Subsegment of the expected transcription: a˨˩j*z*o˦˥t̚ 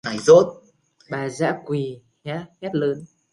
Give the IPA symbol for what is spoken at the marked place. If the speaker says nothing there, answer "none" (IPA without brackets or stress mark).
z